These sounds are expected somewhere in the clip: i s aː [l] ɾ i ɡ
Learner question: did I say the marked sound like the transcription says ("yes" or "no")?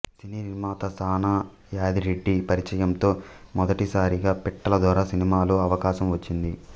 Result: no